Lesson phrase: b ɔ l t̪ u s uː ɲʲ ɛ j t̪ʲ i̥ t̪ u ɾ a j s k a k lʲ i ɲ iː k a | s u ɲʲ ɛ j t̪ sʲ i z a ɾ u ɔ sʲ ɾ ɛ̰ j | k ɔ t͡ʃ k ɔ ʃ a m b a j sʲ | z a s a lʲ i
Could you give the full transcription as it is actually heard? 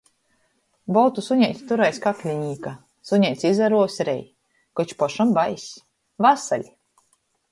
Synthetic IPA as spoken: b ɔ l t̪ u s u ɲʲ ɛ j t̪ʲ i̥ t̪ u ɾ a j s k a k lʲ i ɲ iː k a | s u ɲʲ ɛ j t̪ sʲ i z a ɾ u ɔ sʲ ɾ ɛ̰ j | k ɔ t͡ʃ p ɔ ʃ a m b a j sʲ | v a s a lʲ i